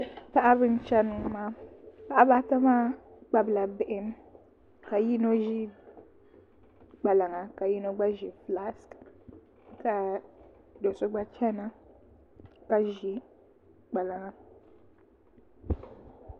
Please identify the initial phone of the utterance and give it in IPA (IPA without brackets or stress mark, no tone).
p